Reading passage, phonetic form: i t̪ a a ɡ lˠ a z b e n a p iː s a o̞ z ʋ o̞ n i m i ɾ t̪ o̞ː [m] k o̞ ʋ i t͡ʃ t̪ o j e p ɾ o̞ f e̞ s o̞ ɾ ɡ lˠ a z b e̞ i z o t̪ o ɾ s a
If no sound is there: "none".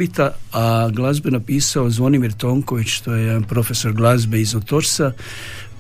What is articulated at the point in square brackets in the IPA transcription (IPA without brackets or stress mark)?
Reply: ŋ